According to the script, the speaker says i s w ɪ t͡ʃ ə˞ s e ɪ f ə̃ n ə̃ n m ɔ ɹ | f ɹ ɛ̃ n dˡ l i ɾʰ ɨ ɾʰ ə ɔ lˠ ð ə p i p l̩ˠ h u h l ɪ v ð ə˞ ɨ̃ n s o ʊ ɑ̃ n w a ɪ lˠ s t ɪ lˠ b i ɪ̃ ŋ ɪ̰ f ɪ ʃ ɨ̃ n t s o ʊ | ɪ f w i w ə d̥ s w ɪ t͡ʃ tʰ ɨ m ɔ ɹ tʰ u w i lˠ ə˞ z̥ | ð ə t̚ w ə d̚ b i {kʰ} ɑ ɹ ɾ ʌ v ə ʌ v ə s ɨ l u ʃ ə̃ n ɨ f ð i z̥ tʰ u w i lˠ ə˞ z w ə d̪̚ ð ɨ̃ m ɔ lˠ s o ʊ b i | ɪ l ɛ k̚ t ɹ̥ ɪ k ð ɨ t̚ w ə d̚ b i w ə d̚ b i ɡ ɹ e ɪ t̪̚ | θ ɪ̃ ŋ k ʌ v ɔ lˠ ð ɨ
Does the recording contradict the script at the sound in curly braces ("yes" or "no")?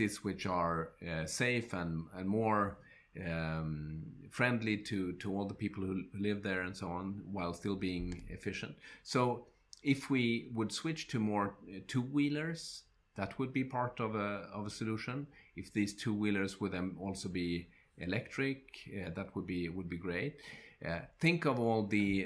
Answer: yes